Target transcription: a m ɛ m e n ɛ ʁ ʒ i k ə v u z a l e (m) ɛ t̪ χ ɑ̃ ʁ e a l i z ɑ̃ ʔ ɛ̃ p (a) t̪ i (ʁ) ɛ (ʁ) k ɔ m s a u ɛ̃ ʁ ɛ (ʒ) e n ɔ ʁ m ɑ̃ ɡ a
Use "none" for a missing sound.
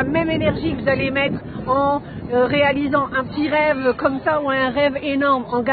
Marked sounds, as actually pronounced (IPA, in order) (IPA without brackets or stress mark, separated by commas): m, ə, ʁ, v, v